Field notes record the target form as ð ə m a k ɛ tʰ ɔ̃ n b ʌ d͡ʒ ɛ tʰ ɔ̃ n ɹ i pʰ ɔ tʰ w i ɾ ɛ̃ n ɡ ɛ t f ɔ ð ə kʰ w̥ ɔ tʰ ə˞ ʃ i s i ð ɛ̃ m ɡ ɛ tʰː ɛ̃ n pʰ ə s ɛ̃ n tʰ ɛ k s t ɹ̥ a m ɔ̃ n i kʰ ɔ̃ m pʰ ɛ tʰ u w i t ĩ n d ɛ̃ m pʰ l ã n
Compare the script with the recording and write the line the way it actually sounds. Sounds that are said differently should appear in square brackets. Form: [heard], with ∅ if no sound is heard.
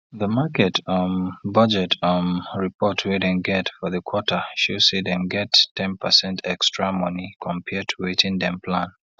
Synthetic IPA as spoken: ð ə m a k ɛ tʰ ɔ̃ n b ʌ d͡ʒ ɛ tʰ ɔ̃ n ɹ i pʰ ɔ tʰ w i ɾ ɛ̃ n ɡ ɛ t f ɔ ð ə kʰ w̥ ɔ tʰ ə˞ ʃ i s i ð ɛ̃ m ɡ ɛ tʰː ɛ̃ n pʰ ə s ɛ̃ n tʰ ɛ k s t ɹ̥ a m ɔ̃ n i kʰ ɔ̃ m pʰ ɛ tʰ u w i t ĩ n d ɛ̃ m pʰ l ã n